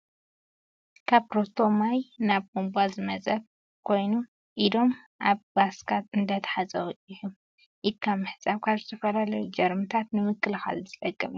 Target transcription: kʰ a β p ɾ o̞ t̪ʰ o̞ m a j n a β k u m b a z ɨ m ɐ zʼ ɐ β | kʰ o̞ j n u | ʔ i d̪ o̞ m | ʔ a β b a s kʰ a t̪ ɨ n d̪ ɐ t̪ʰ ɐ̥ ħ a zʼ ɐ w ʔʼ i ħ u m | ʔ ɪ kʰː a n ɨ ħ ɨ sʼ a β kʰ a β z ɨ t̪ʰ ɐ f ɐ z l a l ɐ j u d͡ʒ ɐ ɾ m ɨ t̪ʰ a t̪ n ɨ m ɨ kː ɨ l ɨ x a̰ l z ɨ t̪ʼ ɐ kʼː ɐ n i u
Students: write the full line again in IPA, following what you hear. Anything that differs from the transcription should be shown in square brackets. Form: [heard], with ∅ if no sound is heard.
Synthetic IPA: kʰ a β p ɾ o̞ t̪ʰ o̞ m a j n a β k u m b a z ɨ m ɐ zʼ ɐ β | kʰ o̞ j n u | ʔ i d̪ o̞ m | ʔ a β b a s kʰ a t̪ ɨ n d̪ ɐ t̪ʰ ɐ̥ ħ a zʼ ɐ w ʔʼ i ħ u m | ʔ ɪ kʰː a [m] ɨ ħ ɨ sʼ a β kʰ a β z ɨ t̪ʰ ɐ f ɐ [∅] l a l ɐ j u d͡ʒ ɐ ɾ m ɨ t̪ʰ a t̪ n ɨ m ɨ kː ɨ l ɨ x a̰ l z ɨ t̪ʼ ɐ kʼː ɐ [m] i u